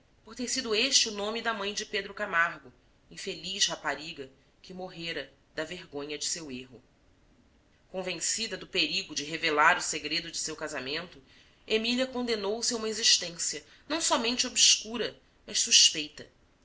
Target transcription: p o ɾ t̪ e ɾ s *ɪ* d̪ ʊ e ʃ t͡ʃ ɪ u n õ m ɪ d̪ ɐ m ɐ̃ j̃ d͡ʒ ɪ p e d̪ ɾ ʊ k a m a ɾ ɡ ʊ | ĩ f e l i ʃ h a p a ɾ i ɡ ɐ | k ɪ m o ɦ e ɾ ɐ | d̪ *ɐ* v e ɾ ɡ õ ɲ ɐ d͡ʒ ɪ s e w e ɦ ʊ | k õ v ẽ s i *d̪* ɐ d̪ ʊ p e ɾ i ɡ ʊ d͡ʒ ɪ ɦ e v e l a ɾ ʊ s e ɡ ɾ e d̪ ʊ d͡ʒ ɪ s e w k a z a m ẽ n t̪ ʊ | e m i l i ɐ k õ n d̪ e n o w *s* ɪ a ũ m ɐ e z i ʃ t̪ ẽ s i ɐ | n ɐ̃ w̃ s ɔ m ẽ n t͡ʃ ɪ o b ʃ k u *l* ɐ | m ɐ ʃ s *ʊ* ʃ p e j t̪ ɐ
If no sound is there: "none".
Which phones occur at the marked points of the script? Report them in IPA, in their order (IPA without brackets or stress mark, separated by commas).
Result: i, ɐ, d̪, s, ɾ, u